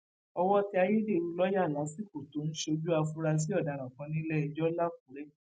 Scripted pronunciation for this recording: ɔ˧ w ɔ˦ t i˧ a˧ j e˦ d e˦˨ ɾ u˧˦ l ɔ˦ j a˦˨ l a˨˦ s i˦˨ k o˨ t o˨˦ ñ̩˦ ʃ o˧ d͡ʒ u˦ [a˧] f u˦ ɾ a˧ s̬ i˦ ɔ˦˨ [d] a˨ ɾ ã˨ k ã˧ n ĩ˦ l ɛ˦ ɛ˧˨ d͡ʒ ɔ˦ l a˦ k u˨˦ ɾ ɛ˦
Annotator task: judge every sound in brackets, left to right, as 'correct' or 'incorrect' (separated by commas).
correct, correct